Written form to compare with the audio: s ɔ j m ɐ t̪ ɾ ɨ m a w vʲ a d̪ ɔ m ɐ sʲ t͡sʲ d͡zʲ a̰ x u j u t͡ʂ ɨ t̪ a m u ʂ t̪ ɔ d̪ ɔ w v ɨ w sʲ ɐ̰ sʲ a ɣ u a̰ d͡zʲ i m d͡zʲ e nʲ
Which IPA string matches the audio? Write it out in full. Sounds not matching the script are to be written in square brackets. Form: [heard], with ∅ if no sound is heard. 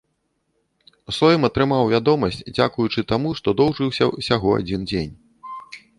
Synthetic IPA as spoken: s ɔ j m ɐ t̪ ɾ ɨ m a w vʲ a d̪ ɔ m ɐ sʲ t͡sʲ d͡zʲ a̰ [k] u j u t͡ʂ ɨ t̪ a m u ʂ t̪ ɔ d̪ ɔ w [ʐ] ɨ w sʲ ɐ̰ sʲ a ɣ [ɔ] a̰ d͡zʲ i [n] d͡zʲ e nʲ